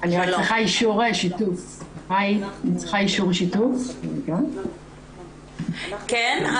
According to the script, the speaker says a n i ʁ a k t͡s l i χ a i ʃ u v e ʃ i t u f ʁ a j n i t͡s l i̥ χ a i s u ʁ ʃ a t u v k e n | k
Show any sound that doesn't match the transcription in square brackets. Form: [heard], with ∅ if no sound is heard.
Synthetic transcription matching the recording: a n i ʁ a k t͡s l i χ a i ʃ u [ʁ] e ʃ i t u f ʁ a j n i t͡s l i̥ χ a i [ʃ] u ʁ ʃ [i] t u [f] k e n | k